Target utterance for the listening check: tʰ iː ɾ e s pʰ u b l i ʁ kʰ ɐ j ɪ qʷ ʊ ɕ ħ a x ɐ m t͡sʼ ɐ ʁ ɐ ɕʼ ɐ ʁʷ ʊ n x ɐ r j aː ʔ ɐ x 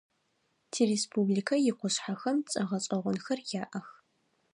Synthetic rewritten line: tʰ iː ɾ e s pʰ u b l i kʰ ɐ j ɪ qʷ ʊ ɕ ħ a x ɐ m t͡sʼ ɐ ʁ ɐ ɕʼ ɐ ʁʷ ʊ n x ɐ r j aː ʔ ɐ x